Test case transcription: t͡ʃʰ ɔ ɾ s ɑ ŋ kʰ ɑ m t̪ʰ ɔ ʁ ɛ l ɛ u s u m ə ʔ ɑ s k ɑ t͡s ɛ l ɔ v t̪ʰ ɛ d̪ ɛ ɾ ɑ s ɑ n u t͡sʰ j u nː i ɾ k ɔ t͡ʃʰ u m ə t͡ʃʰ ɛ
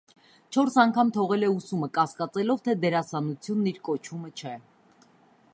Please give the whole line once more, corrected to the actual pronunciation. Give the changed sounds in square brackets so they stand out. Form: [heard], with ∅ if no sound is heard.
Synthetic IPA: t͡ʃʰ ɔ ɾ s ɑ ŋ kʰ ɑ m t̪ʰ ɔ ʁ ɛ l ɛ u s u m ə [k] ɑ s k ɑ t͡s ɛ l ɔ v t̪ʰ ɛ d̪ ɛ ɾ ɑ s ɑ n u t͡sʰ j u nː i ɾ k ɔ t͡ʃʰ u m ə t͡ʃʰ ɛ